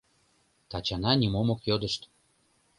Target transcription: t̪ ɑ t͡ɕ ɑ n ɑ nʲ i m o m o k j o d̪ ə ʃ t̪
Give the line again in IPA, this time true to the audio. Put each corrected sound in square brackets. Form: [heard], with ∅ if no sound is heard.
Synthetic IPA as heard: t̪ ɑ t͡ɕ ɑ n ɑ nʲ i m o m o k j o d̪ ə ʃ t̪

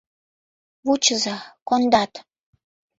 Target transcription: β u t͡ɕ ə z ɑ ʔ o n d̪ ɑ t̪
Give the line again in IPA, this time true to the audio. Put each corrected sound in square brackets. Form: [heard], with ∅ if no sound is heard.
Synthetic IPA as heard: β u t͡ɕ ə z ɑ [k] o n d̪ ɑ t̪

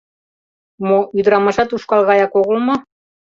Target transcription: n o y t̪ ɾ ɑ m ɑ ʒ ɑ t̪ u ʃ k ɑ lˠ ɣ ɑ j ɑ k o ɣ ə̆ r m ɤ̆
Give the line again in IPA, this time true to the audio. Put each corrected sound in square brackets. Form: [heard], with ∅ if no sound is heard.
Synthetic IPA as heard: [m] o y [d̪] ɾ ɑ m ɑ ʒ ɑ t̪ u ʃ k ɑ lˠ ɣ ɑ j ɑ k o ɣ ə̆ [l] m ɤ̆

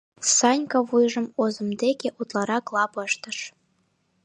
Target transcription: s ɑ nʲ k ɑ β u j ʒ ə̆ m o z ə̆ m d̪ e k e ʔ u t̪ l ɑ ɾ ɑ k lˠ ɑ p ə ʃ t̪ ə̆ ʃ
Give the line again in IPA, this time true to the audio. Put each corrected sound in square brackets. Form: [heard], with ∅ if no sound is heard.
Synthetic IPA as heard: s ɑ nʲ k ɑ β u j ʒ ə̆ m o z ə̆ m d̪ e k e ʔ u t̪ l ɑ ɾ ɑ k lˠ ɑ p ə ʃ t̪ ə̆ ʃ

